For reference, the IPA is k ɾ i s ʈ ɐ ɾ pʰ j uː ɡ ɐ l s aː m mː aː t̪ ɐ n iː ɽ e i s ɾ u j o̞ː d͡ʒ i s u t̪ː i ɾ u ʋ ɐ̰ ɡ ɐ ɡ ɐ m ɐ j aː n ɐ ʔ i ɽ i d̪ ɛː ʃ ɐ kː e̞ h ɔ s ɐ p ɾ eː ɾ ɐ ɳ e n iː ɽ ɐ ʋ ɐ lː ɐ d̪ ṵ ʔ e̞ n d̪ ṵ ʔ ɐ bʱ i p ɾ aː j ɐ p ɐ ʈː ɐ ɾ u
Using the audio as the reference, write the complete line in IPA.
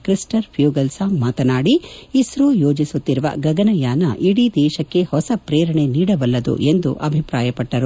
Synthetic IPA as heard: k ɾ i s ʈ ɐ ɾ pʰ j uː ɡ ɐ l s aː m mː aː t̪ ɐ n aː ɽ i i s ɾ u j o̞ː d͡ʒ i s u t̪ː i ɾ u ʋ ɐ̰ ɡ ɐ ɡ ɐ n ɐ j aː n ɐ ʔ i ɽ i d̪ ɛː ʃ ɐ kː e̞ h ɔ s ɐ p ɾ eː ɾ ɐ ɳ e n iː ɽ ɐ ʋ ɐ lː ɐ d̪ ṵ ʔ e̞ n d̪ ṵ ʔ ɐ bʱ i p ɾ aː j ɐ p ɐ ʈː ɐ ɾ u

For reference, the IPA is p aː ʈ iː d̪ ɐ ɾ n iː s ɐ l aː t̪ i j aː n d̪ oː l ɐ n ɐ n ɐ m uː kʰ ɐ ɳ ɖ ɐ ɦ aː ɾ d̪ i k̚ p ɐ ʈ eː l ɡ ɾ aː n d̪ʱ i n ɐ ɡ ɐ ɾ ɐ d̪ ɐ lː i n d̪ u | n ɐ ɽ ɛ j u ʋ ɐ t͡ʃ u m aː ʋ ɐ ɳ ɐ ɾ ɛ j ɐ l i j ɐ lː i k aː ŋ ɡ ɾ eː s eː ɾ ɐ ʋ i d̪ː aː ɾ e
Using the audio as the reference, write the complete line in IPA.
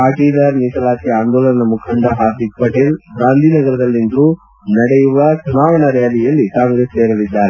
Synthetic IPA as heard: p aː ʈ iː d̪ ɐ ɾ n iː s ɐ l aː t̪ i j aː n d̪ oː l ɐ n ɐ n ɐ m u kʰ ɐ ɳ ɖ ɐ ɦ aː ɾ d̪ i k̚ p ɐ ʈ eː l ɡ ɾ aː n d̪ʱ i n ɐ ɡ ɐ ɾ ɐ d̪ ɐ lː i n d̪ u | n ɐ ɽ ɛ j u ʋ ɐ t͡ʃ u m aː ʋ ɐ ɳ ɐ ɾ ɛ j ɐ l i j ɐ lː i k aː ŋ ɡ ɾ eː s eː ɾ ɐ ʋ i d̪ː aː ɾ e

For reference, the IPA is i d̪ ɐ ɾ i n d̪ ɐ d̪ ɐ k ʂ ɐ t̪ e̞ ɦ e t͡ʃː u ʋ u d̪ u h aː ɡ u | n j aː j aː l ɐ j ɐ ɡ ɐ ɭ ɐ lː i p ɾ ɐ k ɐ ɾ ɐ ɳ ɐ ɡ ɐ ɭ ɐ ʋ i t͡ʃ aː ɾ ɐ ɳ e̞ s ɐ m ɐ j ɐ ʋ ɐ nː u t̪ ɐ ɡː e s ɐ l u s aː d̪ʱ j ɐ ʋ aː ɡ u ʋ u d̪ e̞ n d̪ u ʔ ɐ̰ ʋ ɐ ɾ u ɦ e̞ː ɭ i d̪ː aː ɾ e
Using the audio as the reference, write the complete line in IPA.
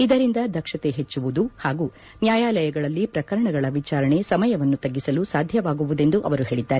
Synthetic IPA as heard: i d̪ ɐ ɾ i n d̪ ɐ d̪ ɐ k ʂ ɐ t̪ e̞ ɦ e t͡ʃː u ʋ u d̪ u h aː ɡ u | n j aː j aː l ɐ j ɐ ɡ ɐ ɭ ɐ lː i p ɾ ɐ k ɐ ɾ ɐ ɳ ɐ ɡ ɐ ɭ ɐ ʋ i t͡ʃ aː ɾ ɐ ɳ e̞ s ɐ m ɐ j ɐ ʋ ɐ nː u t̪ ɐ ɡː i s ɐ l u s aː d̪ʱ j ɐ ʋ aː ɡ u ʋ u d̪ e̞ n d̪ u ʔ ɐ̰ ʋ ɐ ɾ u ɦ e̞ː ɭ i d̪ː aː ɾ e

